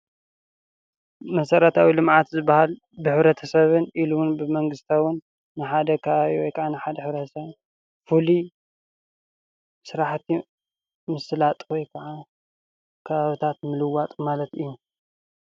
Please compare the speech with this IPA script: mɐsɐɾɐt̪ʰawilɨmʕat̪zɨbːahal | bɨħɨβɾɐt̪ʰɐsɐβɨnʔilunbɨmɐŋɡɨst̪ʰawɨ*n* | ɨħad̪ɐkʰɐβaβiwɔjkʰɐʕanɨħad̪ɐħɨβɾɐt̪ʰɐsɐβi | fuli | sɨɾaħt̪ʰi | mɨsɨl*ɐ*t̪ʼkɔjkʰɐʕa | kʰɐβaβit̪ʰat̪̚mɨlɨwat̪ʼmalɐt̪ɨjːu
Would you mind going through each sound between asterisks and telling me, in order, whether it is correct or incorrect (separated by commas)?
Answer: incorrect, incorrect